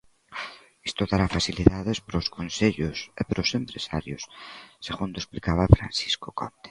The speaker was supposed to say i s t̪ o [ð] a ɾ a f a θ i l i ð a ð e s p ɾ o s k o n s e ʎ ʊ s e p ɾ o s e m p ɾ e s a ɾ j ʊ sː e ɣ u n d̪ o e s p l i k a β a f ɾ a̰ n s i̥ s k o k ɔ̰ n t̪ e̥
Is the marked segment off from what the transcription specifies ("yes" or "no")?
no